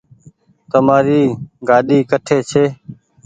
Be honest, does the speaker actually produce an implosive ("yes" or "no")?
yes